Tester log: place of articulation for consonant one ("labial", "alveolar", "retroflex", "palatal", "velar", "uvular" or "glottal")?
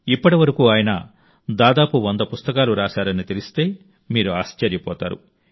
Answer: labial